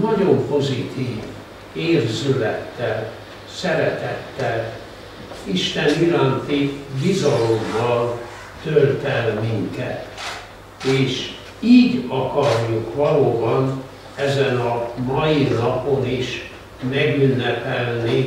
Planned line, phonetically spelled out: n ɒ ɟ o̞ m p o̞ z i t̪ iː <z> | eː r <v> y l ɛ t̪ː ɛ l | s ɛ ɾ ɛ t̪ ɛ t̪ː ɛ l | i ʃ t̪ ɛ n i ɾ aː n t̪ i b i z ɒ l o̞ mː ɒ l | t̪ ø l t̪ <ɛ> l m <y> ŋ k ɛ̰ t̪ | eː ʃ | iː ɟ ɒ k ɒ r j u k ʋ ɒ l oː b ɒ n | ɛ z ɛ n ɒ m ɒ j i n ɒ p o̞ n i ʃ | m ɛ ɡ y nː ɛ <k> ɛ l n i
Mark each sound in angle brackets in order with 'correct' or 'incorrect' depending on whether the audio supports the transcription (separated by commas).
incorrect, incorrect, correct, incorrect, incorrect